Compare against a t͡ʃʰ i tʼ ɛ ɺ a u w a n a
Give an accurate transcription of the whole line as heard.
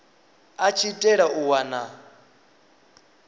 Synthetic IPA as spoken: a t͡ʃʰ i tʼ ɛ ɺ a u w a n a

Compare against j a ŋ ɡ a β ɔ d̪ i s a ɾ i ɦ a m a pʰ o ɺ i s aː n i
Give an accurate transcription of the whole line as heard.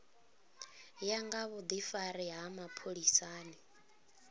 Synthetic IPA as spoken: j a ŋ ɡ a β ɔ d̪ i f a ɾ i ɦ a m a pʰ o ɺ i s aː n i

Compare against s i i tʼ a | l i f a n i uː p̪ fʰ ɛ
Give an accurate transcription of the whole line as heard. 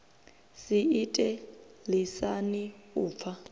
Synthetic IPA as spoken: s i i tʼ ɛ | l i s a n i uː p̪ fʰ a

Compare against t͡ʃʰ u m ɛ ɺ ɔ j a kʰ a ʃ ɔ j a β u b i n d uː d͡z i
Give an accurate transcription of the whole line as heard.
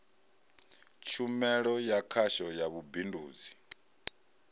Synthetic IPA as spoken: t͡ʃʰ u m ɛ ɺ ɔ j a kʰ a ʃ ɔ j a β u b i n d uː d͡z i

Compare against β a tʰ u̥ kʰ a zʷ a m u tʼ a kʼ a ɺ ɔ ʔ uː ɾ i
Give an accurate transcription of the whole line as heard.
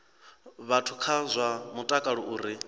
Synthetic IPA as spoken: β a tʰ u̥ kʰ a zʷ a m u tʼ a kʼ a ɺ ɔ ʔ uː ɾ i

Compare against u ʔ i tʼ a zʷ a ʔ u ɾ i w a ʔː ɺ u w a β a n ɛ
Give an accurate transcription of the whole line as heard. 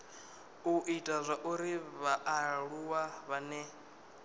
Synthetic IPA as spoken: u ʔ i tʼ a zʷ a ʔ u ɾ i β a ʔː ɺ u w a β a n ɛ

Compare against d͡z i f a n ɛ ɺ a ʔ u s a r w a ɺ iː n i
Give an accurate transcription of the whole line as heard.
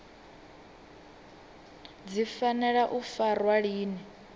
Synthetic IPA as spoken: d͡z i f a n ɛ ɺ a ʔ u f a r w a ɺ iː n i

